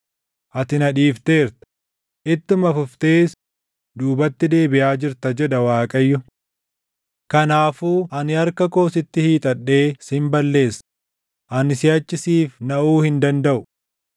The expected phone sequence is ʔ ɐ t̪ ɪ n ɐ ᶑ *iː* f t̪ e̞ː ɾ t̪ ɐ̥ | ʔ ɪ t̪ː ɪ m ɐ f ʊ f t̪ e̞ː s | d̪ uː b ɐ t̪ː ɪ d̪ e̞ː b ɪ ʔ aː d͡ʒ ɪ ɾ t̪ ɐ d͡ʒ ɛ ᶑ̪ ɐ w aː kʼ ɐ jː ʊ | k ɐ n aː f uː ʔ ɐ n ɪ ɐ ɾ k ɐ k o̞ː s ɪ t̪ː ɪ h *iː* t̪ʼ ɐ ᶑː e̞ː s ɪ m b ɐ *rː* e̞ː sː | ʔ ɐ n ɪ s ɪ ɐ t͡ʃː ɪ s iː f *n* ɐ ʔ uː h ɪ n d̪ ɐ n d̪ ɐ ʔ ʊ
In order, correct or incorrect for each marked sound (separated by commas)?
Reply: correct, correct, incorrect, correct